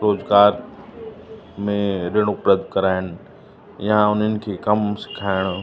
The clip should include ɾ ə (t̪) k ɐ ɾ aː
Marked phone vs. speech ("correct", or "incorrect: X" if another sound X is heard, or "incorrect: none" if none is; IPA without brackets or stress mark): incorrect: d̪